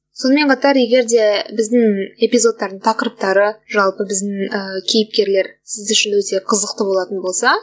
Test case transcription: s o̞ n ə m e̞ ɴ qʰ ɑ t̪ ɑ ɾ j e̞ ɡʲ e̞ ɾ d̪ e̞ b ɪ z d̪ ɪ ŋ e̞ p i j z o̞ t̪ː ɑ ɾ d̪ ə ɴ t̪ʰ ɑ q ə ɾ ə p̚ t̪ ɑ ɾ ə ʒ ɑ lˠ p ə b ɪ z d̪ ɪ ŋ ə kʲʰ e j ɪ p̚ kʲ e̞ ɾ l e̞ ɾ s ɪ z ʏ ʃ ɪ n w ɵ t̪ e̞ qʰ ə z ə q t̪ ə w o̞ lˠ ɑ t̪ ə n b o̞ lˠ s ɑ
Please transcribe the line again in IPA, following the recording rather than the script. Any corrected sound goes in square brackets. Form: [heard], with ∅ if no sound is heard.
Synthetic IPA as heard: s o̞ n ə m e̞ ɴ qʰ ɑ t̪ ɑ ɾ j e̞ ɡʲ e̞ ɾ d̪ e̞ b ɪ z d̪ ɪ ŋ e̞ p i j z o̞ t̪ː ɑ ɾ d̪ ə ɴ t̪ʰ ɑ q ə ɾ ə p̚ t̪ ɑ ɾ ə ʒ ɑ lˠ p ə b ɪ z d̪ ɪ ŋ ə kʲʰ e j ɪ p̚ kʲ e̞ ɾ l e̞ ɾ s ɪ z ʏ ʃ ɪ n w ɵ t̪ e̞ qʰ ə z ə q t̪ ə [b] o̞ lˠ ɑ t̪ ə n b o̞ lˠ s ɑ

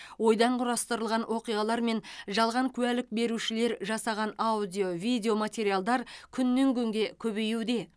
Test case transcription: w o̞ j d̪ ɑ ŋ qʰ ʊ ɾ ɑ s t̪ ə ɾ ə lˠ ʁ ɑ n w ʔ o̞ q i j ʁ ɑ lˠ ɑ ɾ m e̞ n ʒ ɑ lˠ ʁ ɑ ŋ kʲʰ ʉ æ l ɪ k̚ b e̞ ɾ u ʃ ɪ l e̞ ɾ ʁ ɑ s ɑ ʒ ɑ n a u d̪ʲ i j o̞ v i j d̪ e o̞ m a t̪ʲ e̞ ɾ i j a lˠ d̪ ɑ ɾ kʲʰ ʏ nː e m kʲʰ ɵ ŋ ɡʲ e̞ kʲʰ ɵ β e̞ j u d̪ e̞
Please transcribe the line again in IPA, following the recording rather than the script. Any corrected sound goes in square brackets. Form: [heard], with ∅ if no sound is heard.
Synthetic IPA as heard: w o̞ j d̪ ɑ [ɴ] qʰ ʊ ɾ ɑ s t̪ ə ɾ ə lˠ ʁ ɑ n w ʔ o̞ q i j ʁ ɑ lˠ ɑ ɾ m e̞ n ʒ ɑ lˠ ʁ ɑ ŋ kʲʰ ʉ æ l ɪ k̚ b e̞ ɾ u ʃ ɪ l e̞ ɾ [ʒ] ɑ s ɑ [ʁ] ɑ n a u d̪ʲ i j o̞ v i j d̪ e o̞ m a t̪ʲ e̞ ɾ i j a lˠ d̪ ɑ ɾ kʲʰ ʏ nː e [ŋ] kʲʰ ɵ ŋ ɡʲ e̞ kʲʰ ɵ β e̞ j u d̪ e̞

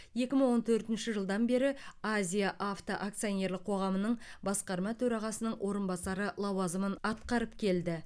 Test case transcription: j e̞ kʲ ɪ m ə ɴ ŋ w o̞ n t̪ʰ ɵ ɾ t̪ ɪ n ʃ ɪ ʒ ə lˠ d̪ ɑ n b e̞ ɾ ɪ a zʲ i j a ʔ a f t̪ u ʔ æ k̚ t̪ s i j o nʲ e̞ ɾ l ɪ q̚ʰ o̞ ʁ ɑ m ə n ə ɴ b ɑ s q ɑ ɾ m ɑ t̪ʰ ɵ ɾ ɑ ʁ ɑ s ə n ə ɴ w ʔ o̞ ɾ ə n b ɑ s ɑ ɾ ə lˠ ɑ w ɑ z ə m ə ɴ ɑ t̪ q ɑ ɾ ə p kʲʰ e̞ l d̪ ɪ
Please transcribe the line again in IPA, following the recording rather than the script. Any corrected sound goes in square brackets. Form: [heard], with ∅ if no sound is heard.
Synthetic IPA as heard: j e̞ kʲ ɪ m ə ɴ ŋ w o̞ n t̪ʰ ɵ ɾ t̪ ɪ n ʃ ɪ ʒ ə lˠ d̪ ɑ n b e̞ ɾ ɪ a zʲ i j a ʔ a f t̪ [o] ʔ [a] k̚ t̪ s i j o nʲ e̞ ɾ l ɪ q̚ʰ o̞ ʁ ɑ m ə n ə ɴ b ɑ s q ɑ ɾ m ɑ t̪ʰ ɵ ɾ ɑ ʁ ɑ s ə n ə ɴ w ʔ o̞ ɾ ə n b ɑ s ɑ ɾ ə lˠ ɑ w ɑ z ə m ə [n] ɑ t̪ q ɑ ɾ ə p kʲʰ e̞ l d̪ ɪ

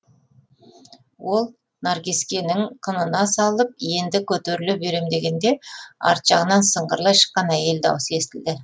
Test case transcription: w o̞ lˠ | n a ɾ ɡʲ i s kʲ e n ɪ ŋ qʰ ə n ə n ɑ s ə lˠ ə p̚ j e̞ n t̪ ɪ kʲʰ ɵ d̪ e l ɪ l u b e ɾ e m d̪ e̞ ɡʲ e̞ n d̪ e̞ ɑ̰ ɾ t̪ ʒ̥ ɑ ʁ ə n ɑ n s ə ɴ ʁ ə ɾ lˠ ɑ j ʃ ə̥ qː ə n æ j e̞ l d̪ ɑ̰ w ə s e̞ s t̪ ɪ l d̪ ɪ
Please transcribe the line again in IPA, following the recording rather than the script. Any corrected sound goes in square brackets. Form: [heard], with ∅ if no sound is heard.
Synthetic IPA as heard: w o̞ lˠ | n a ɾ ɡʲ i s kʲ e n ɪ ŋ qʰ ə n ə n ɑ s [ɑ] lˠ ə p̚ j e̞ n [d̪] ɪ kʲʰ ɵ [t̪] e [ɾ] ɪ l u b e ɾ e m d̪ e̞ ɡʲ e̞ n d̪ e̞ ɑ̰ ɾ t̪ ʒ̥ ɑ ʁ ə n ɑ n s ə ɴ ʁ ə ɾ lˠ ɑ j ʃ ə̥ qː [ɑ] n æ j e̞ l d̪ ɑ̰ w ə s e̞ s t̪ ɪ l d̪ ɪ

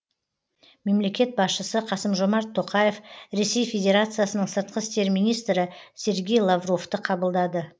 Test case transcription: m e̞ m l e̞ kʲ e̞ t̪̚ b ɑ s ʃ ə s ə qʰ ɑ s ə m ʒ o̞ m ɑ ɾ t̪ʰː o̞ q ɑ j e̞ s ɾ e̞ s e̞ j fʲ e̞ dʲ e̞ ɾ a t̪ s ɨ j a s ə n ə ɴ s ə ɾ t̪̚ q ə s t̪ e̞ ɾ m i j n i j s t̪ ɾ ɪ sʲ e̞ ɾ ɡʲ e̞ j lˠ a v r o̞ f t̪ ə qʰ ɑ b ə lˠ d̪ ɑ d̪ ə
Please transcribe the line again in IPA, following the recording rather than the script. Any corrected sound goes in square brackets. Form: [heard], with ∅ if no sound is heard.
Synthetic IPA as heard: m e̞ m l e̞ kʲ e̞ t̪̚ b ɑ s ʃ ə s ə qʰ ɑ s ə m ʒ o̞ m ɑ ɾ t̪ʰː o̞ q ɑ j e̞ [f] ɾ e̞ s e̞ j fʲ e̞ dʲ e̞ ɾ a t̪ s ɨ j a s ə n ə ɴ s ə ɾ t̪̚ q ə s t̪ e̞ ɾ m i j n i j s t̪ ɾ ɪ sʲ e̞ ɾ ɡʲ e̞ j lˠ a v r o̞ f t̪ ə qʰ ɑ b ə lˠ d̪ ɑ d̪ ə

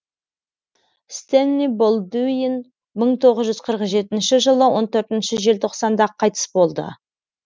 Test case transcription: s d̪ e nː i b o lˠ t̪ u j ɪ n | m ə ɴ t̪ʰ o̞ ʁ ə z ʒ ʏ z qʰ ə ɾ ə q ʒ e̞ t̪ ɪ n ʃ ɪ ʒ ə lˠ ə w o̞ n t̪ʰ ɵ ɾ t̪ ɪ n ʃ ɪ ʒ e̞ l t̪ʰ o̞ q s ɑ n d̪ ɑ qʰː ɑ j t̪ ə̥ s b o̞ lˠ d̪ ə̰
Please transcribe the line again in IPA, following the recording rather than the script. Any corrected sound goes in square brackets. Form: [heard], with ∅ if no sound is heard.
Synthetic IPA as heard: s [t̪] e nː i b o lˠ [d̪] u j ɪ n | m ə ɴ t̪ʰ o̞ ʁ ə z ʒ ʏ z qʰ ə ɾ ə q ʒ e̞ t̪ ɪ n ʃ ɪ ʒ ə lˠ ə w o̞ n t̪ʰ ɵ ɾ t̪ ɪ n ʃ ɪ ʒ e̞ l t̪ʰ o̞ q s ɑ n d̪ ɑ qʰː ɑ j t̪ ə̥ s b o̞ lˠ d̪ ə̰

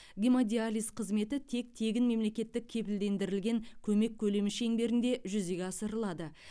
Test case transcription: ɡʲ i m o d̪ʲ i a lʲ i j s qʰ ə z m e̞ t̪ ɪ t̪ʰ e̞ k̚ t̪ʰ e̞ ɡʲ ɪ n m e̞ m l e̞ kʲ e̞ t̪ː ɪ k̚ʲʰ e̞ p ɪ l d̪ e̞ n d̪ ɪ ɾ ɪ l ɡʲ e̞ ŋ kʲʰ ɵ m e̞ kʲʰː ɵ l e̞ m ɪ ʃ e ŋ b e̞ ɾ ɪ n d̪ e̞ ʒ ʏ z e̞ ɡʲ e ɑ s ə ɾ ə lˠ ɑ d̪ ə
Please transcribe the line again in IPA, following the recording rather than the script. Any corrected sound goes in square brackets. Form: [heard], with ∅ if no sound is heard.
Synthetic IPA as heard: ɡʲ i m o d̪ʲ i a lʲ i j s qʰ ə z m e̞ t̪ ɪ t̪ʰ e̞ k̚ t̪ʰ e̞ ɡʲ ɪ n m e̞ m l e̞ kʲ e̞ t̪ː ɪ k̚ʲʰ e̞ p ɪ l d̪ e̞ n d̪ ɪ ɾ ɪ l ɡʲ e̞ ŋ kʲʰ ɵ m e̞ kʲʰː ɵ l e̞ m ɪ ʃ e ŋ b e̞ ɾ ɪ n d̪ e̞ ʒ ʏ z e̞ ɡʲ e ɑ s ə ɾ ə lˠ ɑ d̪ ə

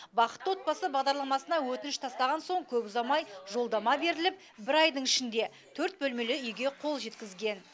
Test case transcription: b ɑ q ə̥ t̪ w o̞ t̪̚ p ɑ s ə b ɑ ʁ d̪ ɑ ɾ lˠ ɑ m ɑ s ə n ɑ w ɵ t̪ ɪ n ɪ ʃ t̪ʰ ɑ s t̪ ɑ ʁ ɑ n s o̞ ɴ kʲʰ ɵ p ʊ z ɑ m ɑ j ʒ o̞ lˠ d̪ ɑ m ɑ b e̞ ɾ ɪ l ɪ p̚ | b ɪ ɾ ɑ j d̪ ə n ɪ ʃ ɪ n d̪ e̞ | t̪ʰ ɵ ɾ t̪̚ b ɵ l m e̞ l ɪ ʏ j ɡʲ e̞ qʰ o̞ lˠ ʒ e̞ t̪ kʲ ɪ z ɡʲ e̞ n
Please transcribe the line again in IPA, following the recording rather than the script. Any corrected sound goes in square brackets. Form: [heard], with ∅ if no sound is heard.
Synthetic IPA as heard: b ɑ q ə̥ t̪ w o̞ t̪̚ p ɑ s ə b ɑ ʁ d̪ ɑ ɾ lˠ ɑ m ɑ s ə n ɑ w ɵ t̪ ɪ n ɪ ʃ t̪ʰ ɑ s t̪ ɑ ʁ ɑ n s o̞ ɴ kʲʰ ɵ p ʊ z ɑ m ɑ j ʒ o̞ lˠ d̪ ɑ m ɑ b e̞ ɾ ɪ l ɪ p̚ | b ɪ ɾ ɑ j d̪ ə [ɴ] ɪ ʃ ɪ n d̪ e̞ | t̪ʰ ɵ ɾ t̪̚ b ɵ l m e̞ l ɪ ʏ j ɡʲ e̞ qʰ o̞ lˠ ʒ e̞ t̪ kʲ ɪ z ɡʲ e̞ n

